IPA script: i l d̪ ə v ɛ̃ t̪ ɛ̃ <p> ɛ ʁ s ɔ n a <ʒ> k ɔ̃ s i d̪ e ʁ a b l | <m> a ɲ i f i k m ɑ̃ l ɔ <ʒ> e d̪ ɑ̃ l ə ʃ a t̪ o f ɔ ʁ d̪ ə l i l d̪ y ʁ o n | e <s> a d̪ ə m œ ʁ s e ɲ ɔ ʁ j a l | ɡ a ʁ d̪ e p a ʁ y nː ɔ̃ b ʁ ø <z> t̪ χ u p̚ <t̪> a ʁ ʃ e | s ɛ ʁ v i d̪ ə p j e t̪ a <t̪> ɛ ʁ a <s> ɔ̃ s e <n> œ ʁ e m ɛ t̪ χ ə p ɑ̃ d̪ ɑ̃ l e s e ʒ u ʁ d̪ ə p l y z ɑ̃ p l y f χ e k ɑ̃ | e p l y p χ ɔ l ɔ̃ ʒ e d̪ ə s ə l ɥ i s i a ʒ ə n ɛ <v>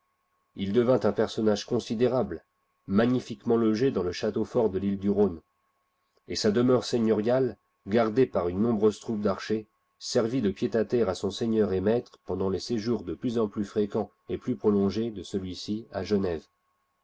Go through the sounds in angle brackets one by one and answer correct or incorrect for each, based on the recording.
correct, correct, correct, correct, correct, correct, incorrect: d̪, correct, correct, incorrect: ɲ, correct

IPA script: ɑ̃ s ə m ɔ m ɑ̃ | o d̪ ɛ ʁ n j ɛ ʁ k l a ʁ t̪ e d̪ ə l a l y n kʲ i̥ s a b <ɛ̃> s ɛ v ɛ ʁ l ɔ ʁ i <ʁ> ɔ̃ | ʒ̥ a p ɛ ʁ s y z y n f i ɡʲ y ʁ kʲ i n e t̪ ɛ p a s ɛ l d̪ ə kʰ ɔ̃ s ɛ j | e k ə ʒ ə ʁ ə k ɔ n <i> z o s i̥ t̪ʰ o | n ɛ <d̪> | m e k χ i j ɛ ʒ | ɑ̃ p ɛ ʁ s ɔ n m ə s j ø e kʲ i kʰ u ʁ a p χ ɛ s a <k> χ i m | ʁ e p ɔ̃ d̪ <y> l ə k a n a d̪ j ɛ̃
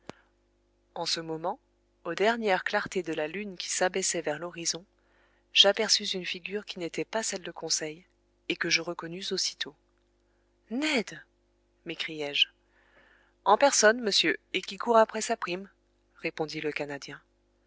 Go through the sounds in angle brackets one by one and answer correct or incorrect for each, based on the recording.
incorrect: ɛ, incorrect: z, incorrect: y, correct, incorrect: p, incorrect: i

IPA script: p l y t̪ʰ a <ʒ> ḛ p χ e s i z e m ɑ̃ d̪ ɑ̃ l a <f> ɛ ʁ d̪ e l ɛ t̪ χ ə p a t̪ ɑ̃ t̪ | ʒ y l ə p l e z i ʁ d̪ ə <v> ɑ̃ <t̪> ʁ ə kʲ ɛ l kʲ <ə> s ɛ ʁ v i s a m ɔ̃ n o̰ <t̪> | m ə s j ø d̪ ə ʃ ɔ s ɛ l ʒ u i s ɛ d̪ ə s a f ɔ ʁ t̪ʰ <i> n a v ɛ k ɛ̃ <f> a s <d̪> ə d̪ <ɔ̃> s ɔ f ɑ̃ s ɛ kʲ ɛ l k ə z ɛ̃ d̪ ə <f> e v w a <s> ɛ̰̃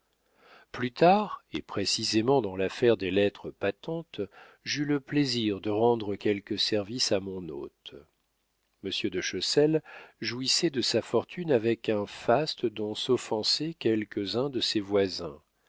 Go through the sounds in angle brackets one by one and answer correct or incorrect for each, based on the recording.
incorrect: ʁ, correct, incorrect: ʁ, incorrect: d̪, correct, correct, incorrect: y, correct, incorrect: t̪, correct, incorrect: s, incorrect: z

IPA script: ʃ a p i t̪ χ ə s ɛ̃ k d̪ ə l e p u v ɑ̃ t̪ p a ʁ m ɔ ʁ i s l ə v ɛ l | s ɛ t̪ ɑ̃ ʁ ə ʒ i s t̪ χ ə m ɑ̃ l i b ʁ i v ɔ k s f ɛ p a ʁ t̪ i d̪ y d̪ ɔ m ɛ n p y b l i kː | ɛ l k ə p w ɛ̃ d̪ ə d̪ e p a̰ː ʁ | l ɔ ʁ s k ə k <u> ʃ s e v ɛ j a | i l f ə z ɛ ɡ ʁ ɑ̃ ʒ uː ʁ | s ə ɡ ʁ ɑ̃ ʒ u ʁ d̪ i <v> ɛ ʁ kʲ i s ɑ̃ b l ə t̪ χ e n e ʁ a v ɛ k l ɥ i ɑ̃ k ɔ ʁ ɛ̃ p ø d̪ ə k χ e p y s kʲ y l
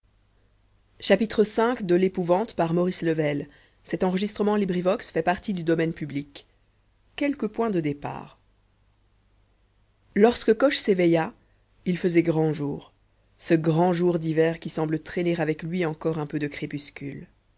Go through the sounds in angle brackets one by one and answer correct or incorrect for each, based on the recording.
incorrect: ɔ, correct

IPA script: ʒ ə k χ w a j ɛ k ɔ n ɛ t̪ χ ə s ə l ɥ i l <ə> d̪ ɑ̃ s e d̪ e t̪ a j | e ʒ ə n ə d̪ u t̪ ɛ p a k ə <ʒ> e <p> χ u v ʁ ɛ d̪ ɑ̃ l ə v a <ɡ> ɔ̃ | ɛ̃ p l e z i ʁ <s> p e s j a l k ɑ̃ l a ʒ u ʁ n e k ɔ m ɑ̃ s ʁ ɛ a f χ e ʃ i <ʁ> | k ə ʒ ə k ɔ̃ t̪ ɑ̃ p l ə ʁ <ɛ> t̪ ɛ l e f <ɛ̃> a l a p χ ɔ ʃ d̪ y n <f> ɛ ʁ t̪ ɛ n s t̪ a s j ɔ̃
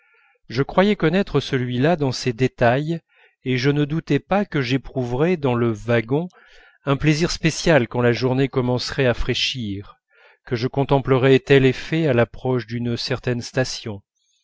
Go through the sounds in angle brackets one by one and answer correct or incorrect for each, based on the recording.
incorrect: a, correct, correct, correct, correct, correct, correct, incorrect: ɛ, incorrect: s

